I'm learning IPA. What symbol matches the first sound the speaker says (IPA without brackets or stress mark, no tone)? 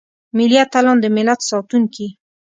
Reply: m